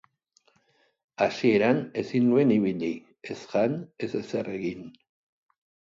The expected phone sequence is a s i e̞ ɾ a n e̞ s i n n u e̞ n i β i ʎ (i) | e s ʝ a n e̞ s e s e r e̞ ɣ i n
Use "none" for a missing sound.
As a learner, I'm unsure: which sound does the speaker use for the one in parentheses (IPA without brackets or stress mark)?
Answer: i